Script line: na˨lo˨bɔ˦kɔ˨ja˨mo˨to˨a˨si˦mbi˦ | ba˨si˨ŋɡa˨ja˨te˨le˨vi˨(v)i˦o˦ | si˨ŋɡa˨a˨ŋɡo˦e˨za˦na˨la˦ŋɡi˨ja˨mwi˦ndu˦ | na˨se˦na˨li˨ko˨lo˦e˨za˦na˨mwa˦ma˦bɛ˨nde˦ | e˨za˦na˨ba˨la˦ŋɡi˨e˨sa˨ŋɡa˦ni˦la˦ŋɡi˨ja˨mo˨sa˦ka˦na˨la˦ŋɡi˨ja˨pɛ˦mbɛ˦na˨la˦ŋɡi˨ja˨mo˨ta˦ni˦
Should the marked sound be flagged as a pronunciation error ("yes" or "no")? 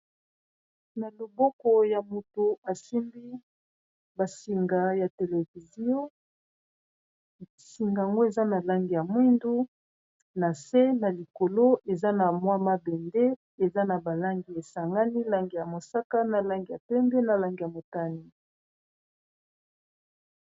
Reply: yes